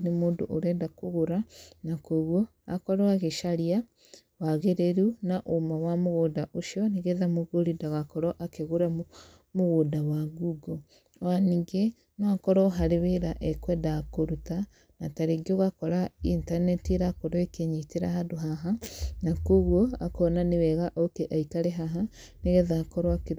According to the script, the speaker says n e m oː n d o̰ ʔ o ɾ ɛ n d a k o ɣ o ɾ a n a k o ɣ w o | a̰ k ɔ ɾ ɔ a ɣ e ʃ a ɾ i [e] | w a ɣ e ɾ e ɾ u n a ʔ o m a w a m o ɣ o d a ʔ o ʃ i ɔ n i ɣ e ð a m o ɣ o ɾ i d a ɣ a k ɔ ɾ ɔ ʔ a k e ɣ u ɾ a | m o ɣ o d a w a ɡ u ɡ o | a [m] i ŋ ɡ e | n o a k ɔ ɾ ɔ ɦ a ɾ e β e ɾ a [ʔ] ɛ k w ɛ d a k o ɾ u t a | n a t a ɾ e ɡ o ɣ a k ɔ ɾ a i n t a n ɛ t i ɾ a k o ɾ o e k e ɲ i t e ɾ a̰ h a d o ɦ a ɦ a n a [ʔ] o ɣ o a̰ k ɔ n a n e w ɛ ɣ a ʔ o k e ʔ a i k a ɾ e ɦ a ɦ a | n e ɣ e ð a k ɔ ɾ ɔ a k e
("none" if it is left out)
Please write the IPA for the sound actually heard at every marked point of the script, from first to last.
a, n, ʔ, k

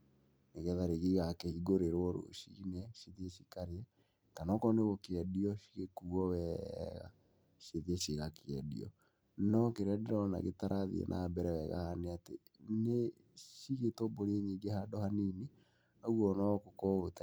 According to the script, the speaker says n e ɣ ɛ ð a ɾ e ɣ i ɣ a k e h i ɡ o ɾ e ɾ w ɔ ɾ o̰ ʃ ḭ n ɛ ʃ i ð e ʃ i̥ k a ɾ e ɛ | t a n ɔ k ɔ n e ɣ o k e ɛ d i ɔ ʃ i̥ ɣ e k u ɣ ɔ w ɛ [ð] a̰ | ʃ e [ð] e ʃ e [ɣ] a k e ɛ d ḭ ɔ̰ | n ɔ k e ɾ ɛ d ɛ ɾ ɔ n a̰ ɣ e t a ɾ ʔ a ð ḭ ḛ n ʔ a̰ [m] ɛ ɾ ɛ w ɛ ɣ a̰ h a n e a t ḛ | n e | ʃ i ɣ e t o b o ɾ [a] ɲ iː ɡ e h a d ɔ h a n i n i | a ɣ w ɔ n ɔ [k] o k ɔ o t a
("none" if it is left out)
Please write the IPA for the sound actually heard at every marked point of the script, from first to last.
ɣ, ð, ɣ, b, e, k

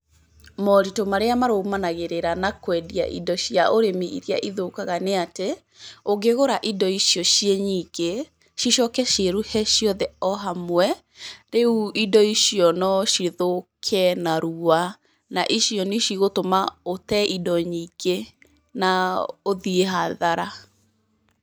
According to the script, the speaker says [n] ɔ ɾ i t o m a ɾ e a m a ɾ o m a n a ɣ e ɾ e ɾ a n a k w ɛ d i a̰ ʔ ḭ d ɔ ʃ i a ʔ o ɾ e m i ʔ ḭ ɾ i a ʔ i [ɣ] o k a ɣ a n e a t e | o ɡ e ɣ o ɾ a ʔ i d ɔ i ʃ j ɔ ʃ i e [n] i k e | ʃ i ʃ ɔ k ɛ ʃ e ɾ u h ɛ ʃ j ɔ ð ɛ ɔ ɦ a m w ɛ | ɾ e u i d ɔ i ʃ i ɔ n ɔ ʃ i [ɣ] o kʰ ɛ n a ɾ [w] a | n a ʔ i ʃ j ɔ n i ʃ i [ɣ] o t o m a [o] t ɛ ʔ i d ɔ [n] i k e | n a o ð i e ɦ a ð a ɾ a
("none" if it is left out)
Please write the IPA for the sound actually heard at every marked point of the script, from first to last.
m, ð, ɲ, ð, u, ɣ, o, ɲ

